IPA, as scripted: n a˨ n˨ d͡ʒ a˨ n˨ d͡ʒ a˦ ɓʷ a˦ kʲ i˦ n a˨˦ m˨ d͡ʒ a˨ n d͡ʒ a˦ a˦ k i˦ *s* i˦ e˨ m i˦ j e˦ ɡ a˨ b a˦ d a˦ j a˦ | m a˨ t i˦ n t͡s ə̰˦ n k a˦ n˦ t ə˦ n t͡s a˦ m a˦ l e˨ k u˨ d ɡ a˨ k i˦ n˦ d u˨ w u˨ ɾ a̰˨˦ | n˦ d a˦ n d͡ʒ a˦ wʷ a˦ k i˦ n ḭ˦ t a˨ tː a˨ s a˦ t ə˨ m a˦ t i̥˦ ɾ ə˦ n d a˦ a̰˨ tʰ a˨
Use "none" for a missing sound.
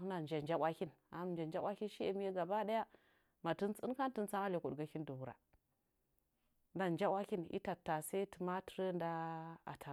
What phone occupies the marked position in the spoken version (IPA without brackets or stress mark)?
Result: ʃ